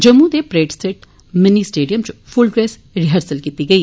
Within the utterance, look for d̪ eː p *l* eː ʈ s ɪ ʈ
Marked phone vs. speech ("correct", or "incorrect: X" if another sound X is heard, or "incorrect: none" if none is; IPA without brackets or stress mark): incorrect: ɾ